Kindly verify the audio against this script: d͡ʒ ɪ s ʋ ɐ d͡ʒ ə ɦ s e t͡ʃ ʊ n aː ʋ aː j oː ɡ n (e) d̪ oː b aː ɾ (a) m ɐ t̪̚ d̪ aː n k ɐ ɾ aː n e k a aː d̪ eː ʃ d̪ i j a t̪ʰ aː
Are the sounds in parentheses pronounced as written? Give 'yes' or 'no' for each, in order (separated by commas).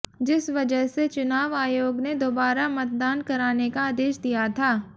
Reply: yes, yes